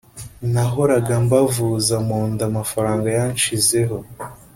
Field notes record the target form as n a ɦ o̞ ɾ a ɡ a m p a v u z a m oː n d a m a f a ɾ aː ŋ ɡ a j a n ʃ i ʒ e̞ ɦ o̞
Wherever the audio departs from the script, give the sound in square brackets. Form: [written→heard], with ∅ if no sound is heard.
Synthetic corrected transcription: n a ɦ o̞ ɾ a ɡ a m [p→b] a v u z a m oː n d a m a f a ɾ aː ŋ ɡ a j a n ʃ i [ʒ→z] e̞ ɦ o̞